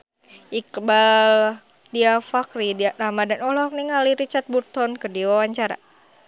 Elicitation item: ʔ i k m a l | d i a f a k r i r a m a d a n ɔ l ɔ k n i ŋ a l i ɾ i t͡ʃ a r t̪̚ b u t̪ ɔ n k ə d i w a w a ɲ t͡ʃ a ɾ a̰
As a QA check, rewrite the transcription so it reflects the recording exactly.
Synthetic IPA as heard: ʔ i k b a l | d i a f a k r i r a m a d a n ɔ l ɔ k n i ŋ a l i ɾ i t͡ʃ a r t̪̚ b u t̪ ɔ n k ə d i w a w a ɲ t͡ʃ a ɾ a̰

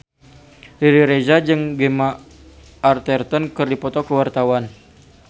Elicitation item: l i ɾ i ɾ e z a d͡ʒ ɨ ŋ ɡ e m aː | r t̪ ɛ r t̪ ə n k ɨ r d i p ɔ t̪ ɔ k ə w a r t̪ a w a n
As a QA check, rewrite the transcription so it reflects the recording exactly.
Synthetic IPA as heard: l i ɾ i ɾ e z a d͡ʒ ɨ ŋ ɡ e m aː | r t̪ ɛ r t̪ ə n k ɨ r d i p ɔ t̪ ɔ k ə w a r t̪ a w a n

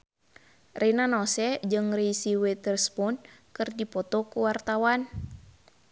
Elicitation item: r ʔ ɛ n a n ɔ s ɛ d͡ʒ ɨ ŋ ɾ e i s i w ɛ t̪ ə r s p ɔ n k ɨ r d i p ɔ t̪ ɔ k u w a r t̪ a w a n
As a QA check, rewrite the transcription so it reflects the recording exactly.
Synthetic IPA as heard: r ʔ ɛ n a n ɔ s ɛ d͡ʒ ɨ ŋ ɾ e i s i w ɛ t̪ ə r s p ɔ n k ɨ r d i p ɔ t̪ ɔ k u w a r t̪ a w a n

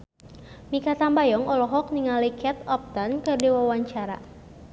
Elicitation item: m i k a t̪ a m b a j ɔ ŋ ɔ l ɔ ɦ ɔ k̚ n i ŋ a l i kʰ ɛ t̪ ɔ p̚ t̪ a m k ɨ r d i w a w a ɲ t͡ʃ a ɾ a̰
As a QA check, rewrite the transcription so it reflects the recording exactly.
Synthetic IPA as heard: m i k a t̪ a m b a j ɔ ŋ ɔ l ɔ ɦ ɔ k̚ n i ŋ a l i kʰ ɛ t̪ ɔ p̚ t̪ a n k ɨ r d i w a w a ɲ t͡ʃ a ɾ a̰

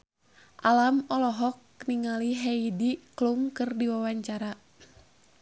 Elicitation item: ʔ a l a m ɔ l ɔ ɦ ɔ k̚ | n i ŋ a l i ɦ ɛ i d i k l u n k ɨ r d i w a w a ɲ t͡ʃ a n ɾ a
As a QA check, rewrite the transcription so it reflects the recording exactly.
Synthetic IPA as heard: ʔ a l a m ɔ l ɔ ɦ ɔ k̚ | n i ŋ a l i ɦ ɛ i d i k l u m k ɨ r d i w a w a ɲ t͡ʃ a ɾ a

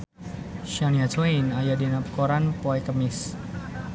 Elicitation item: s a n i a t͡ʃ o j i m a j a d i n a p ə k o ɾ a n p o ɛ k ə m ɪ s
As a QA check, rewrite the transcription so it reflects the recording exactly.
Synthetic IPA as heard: ʃ a n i a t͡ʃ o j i n a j a d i n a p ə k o ɾ a n p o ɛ k ə m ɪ s

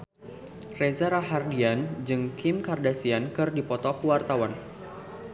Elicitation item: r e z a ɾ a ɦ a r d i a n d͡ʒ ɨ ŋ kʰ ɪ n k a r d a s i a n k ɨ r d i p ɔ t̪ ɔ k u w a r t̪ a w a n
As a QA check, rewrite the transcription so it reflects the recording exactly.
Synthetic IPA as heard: r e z a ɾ a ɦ a r d i a n d͡ʒ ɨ ŋ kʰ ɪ m k a r d a s i a n k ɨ r d i p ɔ t̪ ɔ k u w a r t̪ a w a n

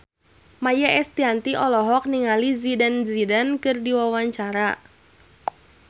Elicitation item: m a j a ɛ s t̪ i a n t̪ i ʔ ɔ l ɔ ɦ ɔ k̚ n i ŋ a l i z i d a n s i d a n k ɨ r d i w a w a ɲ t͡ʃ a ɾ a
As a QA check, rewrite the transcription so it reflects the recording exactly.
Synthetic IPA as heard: m a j a ɛ s t̪ i a n t̪ i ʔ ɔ l ɔ ɦ ɔ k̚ n i ŋ a l i z i d a n z i d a n k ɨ r d i w a w a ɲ t͡ʃ a ɾ a

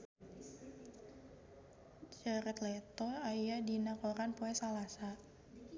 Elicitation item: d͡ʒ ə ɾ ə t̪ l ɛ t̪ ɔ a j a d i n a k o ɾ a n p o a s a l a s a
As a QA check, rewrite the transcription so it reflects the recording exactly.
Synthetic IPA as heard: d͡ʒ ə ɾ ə t̪ l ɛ t̪ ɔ a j a d i n a k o ɾ a n p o ɛ s a l a s a

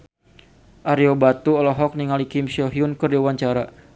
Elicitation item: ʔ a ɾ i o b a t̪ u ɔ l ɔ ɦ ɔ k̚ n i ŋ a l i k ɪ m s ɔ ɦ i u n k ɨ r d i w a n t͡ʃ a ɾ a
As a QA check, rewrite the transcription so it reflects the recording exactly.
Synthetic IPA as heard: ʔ a ɾ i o b a t̪ u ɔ l ɔ ɦ ɔ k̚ n i ŋ a l i k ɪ m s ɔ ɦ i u n k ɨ r d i w a ɲ t͡ʃ a ɾ a

